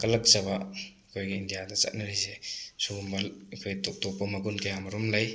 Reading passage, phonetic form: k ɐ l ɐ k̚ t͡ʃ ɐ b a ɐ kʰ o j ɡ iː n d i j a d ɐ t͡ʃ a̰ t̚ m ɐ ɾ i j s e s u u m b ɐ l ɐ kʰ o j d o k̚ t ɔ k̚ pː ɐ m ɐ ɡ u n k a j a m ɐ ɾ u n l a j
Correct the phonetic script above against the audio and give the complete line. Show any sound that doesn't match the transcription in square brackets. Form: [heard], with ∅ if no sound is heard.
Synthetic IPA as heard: k ɐ l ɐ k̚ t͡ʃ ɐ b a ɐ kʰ o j ɡ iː n d i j a d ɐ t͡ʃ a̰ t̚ [n] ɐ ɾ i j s e s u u m b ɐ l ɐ kʰ o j [t] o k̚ t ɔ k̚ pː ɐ m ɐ ɡ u n k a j a m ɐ ɾ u [m] l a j